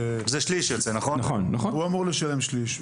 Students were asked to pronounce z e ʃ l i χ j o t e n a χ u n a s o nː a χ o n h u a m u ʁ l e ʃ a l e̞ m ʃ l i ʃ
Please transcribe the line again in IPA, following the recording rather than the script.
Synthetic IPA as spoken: z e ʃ l i ʃ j o t͡s e n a χ o n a χ o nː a χ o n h u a m u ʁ l e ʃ a l e̞ m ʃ l i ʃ

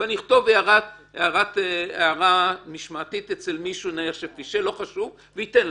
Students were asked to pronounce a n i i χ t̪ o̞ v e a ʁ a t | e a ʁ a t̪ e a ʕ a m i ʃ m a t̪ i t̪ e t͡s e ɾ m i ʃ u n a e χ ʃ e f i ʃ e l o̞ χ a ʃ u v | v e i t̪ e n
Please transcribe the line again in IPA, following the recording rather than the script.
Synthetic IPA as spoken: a n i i χ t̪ o̞ v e a ʁ a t | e a ʁ a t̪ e a ʁ a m i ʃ m a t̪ i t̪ e t͡s e l m i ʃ u n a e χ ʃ e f i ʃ e l o̞ χ a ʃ u v | v e i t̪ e n

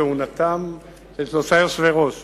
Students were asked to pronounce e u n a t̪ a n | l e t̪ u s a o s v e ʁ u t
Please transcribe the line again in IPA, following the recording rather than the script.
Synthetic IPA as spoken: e u n a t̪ a m | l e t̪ o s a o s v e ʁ o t

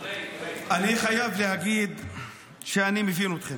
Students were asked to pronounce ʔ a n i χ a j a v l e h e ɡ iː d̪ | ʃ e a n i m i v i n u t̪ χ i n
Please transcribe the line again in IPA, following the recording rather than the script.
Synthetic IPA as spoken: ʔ a n i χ a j a v l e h a ɡ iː d̪ | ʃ e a n i m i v i n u t̪ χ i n

